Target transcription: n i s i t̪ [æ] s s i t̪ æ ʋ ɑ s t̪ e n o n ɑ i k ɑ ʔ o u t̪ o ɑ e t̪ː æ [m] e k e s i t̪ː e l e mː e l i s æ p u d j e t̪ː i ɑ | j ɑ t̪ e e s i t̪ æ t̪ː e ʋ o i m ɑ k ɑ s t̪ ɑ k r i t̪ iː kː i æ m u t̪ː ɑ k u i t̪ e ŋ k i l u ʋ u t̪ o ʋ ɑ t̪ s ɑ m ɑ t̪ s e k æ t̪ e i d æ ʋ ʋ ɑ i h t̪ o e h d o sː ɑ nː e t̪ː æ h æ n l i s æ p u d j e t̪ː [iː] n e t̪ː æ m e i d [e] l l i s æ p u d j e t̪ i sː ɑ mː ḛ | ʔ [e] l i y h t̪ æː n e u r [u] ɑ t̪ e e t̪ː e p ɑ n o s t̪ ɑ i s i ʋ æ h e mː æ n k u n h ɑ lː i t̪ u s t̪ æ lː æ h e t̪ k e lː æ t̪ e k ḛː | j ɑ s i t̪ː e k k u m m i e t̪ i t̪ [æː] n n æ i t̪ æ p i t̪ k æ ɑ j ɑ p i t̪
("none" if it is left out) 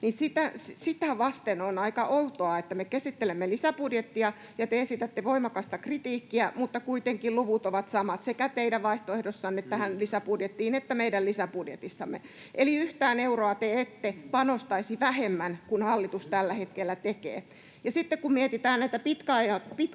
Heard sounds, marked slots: æ, m, iː, æ, e, o, æː

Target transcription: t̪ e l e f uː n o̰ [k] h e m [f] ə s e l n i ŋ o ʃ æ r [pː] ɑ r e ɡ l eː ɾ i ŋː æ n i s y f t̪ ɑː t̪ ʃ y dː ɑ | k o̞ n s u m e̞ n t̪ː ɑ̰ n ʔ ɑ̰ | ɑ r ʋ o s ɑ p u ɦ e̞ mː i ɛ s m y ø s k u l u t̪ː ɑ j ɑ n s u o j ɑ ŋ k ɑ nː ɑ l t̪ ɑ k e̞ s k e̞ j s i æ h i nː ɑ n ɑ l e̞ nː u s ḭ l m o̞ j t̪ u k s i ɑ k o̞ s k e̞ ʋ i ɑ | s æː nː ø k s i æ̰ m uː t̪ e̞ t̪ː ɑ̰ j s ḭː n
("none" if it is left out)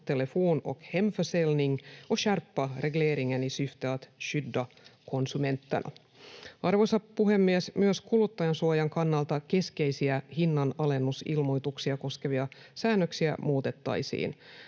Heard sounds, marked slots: k, f, pː

